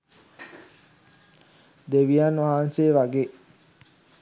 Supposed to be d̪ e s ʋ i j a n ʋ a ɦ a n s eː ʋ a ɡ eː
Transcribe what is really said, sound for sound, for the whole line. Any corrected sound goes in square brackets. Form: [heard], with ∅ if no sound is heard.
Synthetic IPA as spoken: d̪ e [∅] ʋ i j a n ʋ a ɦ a n s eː ʋ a ɡ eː